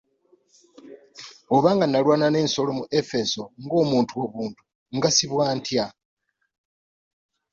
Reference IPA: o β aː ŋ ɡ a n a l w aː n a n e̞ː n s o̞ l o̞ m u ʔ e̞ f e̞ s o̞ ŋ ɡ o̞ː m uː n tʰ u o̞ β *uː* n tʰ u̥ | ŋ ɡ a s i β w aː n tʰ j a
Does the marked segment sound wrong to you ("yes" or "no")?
no